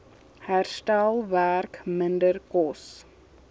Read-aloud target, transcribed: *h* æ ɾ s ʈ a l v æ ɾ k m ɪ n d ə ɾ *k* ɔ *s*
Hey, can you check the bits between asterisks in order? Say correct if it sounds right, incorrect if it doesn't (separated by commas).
correct, correct, correct